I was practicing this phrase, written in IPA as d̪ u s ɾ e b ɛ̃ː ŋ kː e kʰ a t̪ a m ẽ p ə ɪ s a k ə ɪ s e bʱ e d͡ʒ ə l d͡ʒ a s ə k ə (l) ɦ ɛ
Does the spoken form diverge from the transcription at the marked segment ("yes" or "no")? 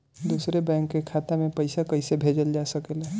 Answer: no